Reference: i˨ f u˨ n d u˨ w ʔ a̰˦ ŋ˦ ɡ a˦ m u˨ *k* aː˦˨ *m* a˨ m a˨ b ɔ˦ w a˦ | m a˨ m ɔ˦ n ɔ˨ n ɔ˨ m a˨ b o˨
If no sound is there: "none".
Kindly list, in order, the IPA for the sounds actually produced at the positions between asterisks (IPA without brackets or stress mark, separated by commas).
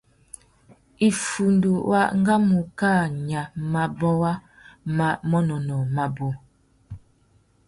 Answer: k, ɲ